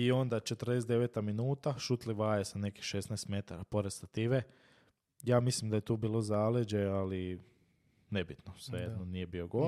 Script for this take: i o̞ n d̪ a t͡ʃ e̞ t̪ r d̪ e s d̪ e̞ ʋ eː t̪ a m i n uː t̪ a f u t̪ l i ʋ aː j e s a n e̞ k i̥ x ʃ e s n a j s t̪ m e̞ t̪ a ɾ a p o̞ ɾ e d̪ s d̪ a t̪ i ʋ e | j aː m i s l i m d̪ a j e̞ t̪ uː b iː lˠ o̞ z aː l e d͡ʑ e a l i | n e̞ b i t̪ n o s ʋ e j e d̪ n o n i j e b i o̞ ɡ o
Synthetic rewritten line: i o̞ n d̪ a t͡ʃ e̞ t̪ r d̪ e s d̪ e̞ ʋ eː t̪ a m i n uː t̪ a ʃ u t̪ l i ʋ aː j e s a n e̞ k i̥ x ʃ e s n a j s t̪ m e̞ t̪ a ɾ a p o̞ ɾ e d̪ s t̪ a t̪ i ʋ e | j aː m i s l i m d̪ a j e̞ t̪ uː b iː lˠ o̞ z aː l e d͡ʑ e a l i | n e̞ b i t̪ n o s ʋ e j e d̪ n o n i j e b i o̞ ɡ o